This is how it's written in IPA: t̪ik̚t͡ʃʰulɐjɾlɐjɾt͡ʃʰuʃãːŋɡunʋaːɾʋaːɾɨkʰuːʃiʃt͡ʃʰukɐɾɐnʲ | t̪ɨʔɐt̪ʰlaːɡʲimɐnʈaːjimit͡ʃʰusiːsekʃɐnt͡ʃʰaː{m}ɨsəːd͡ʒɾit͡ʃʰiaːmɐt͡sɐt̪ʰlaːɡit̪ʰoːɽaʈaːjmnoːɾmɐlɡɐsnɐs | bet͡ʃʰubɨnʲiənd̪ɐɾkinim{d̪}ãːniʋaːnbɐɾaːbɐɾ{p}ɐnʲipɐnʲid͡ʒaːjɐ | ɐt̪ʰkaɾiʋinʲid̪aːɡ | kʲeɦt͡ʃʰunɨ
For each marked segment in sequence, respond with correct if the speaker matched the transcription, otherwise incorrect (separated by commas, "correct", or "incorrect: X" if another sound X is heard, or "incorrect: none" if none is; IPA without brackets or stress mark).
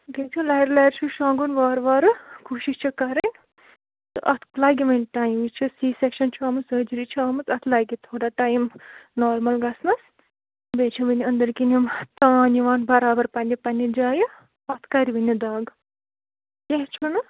correct, incorrect: t̪, correct